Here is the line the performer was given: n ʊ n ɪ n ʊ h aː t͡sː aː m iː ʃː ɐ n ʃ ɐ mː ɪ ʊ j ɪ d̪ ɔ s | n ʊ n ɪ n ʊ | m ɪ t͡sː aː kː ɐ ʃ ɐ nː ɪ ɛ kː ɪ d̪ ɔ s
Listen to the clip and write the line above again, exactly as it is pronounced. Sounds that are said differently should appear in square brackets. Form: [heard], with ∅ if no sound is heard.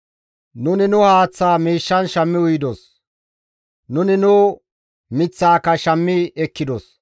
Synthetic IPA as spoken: n ʊ n ɪ n ʊ h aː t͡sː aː m iː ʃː ɐ n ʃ ɐ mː ɪ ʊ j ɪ d̪ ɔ s | n ʊ n ɪ n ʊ | m ɪ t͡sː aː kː ɐ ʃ ɐ [mː] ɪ ɛ kː ɪ d̪ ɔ s